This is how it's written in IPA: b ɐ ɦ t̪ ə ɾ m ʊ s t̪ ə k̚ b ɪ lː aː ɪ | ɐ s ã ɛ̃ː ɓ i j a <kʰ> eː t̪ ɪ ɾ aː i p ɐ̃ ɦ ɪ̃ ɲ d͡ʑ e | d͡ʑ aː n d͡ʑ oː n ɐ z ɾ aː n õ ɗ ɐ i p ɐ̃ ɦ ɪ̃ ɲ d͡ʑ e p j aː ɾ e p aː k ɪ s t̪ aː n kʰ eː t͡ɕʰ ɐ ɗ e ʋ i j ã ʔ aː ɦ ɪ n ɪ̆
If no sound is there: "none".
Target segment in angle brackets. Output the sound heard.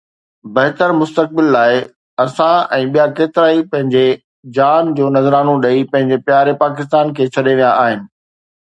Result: k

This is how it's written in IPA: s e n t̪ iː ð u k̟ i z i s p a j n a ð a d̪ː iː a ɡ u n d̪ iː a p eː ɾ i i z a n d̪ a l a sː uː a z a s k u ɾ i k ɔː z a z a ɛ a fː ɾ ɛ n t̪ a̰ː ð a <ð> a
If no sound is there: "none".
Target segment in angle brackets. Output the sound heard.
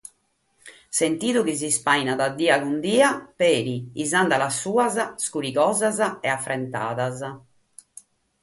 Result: z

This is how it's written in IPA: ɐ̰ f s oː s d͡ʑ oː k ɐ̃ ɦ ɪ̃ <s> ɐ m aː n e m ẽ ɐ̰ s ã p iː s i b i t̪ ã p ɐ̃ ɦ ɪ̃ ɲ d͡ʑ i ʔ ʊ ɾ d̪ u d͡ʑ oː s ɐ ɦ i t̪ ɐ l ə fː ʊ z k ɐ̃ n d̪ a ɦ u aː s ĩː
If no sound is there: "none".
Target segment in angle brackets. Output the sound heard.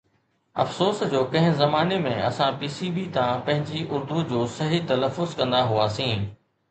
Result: z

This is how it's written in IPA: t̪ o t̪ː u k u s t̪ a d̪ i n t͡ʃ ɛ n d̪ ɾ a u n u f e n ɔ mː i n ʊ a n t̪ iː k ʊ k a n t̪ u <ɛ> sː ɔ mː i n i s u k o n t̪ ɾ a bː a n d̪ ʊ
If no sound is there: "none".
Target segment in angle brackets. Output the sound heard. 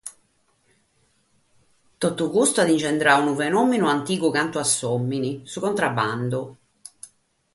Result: a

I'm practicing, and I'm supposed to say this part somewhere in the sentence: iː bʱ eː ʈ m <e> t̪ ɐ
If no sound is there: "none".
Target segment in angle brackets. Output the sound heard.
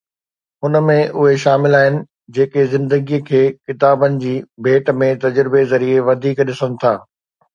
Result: ẽ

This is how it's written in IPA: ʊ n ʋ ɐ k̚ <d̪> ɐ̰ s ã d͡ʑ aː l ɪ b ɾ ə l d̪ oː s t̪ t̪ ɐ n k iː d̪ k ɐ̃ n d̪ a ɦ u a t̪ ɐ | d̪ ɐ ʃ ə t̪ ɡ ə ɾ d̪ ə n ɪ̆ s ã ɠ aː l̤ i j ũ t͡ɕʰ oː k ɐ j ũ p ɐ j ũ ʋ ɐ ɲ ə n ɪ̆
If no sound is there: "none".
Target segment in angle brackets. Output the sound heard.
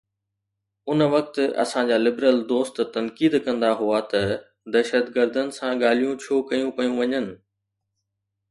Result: t̪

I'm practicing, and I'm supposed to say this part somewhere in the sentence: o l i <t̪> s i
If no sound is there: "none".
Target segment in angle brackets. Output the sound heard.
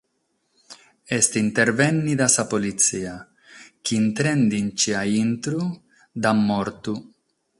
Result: t̪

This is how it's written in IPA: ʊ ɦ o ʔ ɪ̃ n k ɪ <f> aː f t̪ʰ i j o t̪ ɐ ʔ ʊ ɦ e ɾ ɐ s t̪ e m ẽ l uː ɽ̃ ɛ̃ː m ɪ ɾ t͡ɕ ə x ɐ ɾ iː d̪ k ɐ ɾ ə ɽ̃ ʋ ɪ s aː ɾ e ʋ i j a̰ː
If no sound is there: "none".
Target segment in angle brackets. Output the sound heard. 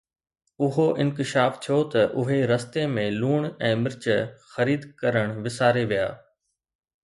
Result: ʃ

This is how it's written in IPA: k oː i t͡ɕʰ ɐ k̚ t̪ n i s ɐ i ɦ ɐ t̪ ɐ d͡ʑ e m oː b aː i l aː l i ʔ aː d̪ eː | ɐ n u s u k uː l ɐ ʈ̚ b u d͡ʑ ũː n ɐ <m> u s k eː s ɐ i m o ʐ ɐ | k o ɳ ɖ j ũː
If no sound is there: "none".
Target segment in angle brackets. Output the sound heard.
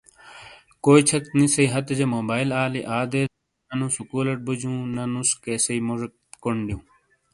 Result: n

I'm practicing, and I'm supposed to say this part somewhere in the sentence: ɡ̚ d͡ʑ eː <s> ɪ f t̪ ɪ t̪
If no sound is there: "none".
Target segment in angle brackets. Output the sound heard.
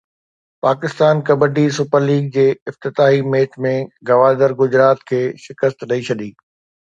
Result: none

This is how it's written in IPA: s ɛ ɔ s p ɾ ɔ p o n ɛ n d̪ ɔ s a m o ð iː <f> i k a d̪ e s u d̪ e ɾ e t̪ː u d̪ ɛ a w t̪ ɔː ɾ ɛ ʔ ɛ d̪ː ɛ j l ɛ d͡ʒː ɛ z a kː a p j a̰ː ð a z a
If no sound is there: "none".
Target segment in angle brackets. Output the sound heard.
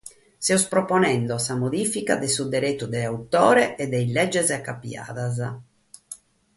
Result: f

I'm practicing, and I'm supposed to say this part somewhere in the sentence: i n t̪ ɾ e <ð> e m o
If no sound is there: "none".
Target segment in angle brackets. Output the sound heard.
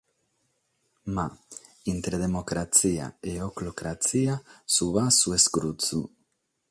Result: ð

